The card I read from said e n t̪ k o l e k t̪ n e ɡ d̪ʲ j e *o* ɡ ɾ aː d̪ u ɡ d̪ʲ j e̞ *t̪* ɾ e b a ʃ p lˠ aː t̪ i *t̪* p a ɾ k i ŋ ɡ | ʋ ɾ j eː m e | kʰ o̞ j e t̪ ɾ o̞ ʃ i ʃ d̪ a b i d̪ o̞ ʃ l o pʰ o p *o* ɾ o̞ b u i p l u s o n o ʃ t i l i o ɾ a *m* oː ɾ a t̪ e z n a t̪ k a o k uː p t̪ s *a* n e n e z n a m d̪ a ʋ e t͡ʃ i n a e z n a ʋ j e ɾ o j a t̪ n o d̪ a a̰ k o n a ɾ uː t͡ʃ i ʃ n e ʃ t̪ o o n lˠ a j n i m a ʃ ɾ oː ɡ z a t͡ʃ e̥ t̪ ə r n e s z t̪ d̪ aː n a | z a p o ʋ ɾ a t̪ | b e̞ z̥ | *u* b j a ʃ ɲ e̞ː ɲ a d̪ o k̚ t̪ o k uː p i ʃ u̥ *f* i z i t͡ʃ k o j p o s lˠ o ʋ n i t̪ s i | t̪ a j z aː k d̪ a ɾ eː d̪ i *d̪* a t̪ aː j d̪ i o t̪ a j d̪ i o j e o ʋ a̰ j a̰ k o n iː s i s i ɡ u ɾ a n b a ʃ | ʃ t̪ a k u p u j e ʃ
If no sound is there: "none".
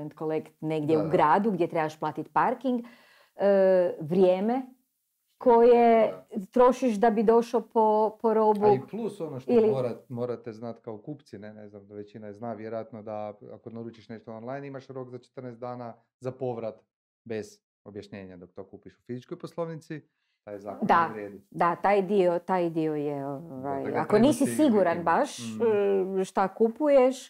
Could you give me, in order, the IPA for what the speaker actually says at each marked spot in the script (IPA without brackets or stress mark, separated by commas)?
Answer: u, t̪, t̪, o, m, i, o, f, d̪